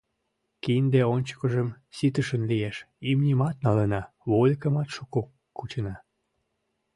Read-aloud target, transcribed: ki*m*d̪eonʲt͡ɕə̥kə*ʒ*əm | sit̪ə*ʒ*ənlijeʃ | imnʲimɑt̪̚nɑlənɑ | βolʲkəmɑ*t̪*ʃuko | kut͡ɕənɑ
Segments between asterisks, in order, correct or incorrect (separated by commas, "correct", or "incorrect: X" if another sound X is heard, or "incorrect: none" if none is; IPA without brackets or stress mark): incorrect: n, correct, incorrect: ʃ, correct